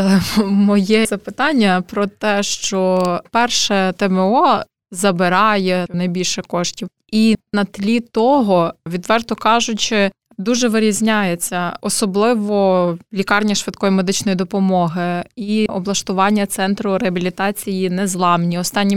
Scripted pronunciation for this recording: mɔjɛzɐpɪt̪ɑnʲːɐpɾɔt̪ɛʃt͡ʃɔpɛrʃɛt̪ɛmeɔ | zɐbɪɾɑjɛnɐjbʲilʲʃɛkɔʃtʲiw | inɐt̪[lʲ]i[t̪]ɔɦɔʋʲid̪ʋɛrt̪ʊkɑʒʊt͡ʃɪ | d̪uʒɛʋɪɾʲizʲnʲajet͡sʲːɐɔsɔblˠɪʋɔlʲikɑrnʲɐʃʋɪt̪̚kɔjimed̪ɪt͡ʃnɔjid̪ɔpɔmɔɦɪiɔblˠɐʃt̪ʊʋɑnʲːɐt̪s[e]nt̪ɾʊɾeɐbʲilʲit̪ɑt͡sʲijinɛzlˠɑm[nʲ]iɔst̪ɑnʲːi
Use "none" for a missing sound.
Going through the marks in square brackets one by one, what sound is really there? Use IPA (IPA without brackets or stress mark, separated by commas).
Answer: lʲ, t̪, ɛ, nʲ